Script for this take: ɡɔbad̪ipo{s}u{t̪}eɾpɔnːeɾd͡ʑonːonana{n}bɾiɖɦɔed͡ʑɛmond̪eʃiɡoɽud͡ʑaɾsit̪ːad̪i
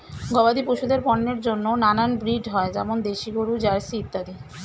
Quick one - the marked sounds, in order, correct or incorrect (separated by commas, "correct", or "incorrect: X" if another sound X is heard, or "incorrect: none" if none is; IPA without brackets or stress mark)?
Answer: incorrect: ʃ, incorrect: d̪, correct